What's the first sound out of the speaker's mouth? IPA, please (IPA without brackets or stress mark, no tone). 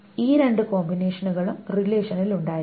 iː